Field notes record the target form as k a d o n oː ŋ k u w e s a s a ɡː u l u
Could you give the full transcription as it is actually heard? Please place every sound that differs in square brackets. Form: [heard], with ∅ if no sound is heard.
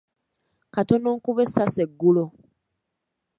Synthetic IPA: k a [t] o n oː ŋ k u [β] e s a s [e] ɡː u l [o]

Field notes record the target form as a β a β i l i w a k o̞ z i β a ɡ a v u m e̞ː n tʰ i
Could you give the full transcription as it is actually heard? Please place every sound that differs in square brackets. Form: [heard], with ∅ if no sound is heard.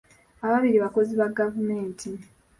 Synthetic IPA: a β a β i [ɾ] i [β] a k o̞ z i β a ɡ a v u m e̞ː n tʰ i

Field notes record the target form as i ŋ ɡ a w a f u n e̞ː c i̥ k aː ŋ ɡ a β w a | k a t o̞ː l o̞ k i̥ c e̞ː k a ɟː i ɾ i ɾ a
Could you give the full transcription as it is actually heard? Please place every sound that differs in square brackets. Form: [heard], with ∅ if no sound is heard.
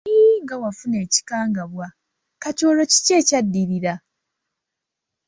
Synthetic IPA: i ŋ ɡ a w a f u n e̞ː c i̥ k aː ŋ ɡ a β w a | k a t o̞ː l o̞ [c] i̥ c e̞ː [c] a [dː] i ɾ i ɾ a

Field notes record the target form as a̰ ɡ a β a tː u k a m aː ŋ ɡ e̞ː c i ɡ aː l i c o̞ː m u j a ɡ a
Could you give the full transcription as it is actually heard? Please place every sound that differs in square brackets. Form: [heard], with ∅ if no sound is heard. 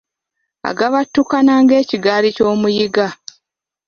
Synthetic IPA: a̰ ɡ a β a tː u k a [n] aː ŋ ɡ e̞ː c i ɡ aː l i c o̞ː m u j [i] ɡ a

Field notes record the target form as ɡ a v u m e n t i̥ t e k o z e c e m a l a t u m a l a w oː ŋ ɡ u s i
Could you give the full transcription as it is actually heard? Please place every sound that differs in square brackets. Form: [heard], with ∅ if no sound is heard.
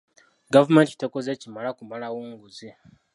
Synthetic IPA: ɡ a v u m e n t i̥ t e k o z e c [i] m a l a [k] u m a l a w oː ŋ ɡ u [z] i

